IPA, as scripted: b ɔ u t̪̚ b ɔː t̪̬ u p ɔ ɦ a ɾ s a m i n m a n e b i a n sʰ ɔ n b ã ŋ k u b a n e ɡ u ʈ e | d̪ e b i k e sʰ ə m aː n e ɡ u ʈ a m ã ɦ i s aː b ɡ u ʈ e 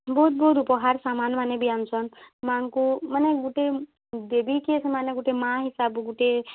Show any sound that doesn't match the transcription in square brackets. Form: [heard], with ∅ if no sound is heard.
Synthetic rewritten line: b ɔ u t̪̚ b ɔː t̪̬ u p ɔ ɦ a ɾ s a m [a] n m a n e b i a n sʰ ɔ n [m] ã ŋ k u [m] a n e ɡ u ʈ e | d̪ e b i k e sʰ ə m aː n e ɡ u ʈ [e] m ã ɦ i s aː b ɡ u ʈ e